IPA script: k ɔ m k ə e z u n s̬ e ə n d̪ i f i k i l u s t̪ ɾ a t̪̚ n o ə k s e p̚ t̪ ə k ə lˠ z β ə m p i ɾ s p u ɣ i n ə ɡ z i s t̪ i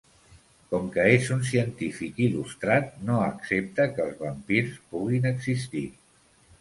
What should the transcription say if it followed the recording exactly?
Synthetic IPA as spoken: k ɔ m k ə e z u n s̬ i ə n t̪ i f i k i l u s t̪ ɾ a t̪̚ n o ə k s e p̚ t̪ ə k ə lˠ z β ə m p i ɾ s p u ɣ i n ə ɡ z i s t̪ i